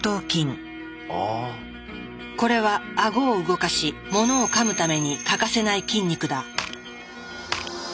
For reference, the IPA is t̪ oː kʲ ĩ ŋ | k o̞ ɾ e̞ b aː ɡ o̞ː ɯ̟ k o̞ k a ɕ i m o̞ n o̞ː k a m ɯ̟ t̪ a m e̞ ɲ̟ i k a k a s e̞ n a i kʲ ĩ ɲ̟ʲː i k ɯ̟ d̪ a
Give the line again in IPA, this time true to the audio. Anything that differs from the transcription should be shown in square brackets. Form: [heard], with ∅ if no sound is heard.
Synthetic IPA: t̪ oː kʲ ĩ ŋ | k o̞ ɾ e̞ [β] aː ɡ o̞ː ɯ̟ [ɡ] o̞ k a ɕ i m o̞ n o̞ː k a m ɯ̟ t̪ a m e̞ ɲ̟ i k a k a s e̞ n a i kʲ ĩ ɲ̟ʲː i k ɯ̟ d̪ a

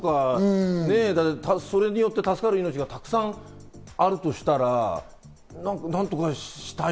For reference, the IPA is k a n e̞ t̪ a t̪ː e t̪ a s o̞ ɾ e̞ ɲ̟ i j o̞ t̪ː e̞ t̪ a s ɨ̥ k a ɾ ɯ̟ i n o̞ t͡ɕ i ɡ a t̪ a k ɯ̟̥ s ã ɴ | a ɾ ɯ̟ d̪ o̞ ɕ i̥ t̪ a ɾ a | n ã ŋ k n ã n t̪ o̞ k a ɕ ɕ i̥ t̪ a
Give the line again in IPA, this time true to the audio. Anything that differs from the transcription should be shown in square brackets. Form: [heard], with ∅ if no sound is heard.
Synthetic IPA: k a n e̞ [d̪] a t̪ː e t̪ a s o̞ ɾ e̞ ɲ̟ i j o̞ t̪ː e̞ t̪ a s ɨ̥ k a ɾ ɯ̟ i n o̞ t͡ɕ i ɡ a t̪ a k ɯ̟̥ s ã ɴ | a ɾ ɯ̟ [t̪] o̞ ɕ i̥ t̪ a ɾ a | n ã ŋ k n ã n t̪ o̞ k a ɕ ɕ i̥ t̪ a

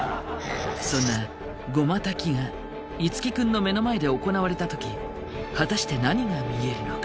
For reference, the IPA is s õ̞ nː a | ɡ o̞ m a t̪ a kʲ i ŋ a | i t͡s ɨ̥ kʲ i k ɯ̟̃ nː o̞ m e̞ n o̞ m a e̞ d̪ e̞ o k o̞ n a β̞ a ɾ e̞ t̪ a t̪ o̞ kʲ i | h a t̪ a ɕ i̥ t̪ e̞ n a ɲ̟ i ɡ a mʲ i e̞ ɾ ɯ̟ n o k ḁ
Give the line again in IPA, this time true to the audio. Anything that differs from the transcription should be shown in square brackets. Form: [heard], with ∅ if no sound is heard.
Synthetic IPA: s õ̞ nː a | ɡ o̞ m a t̪ a kʲ i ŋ a | i t͡s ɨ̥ kʲ i k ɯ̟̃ nː o̞ m e̞ n o̞ m a e̞ d̪ e̞ o k o̞ n a β̞ a ɾ e̞ t̪ a t̪ o̞ kʲ i | h a t̪ a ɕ i̥ t̪ e̞ n a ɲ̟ i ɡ a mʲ i e̞ ɾ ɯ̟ n o k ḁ

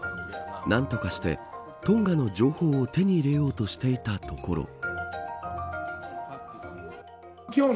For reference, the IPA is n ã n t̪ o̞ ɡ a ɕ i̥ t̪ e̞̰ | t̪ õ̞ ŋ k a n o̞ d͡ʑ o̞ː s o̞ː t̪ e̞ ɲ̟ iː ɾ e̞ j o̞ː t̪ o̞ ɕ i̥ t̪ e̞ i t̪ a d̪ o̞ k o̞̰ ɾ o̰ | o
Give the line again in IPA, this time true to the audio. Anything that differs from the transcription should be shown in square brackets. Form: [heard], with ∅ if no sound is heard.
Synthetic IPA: n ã n t̪ o̞ [k] a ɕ i̥ t̪ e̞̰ | t̪ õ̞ ŋ [ɡ] a n o̞ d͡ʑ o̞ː [h] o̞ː t̪ e̞ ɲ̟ iː ɾ e̞ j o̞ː t̪ o̞ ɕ i̥ t̪ e̞ i t̪ a [t̪] o̞ k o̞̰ ɾ o̰ | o

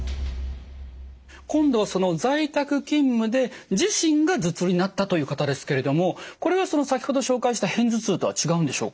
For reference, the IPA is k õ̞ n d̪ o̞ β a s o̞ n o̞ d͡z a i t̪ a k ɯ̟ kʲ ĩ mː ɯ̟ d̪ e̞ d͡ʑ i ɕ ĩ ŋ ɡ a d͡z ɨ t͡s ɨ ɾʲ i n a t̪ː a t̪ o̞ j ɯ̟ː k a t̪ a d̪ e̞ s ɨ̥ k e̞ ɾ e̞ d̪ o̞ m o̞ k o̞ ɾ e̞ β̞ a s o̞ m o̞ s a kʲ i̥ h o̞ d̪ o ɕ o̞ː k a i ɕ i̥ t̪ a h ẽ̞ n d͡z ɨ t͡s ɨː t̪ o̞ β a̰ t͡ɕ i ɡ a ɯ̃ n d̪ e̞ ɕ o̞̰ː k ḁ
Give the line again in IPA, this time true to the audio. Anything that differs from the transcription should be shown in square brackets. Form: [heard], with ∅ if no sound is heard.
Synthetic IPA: k õ̞ n d̪ o̞ β a s o̞ n o̞ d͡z a i t̪ a k ɯ̟ kʲ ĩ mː ɯ̟ d̪ e̞ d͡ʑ i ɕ ĩ ŋ ɡ a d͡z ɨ t͡s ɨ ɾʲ i n a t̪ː a t̪ o̞ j ɯ̟ː k a t̪ a d̪ e̞ s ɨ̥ k e̞ ɾ e̞ d̪ o̞ m o̞ k o̞ ɾ e̞ β̞ a s o̞ [n] o̞ s a kʲ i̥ h o̞ d̪ o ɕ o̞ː k a i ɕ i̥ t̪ a h ẽ̞ n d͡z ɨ t͡s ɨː t̪ o̞ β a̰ t͡ɕ i ɡ a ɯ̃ n d̪ e̞ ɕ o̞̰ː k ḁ

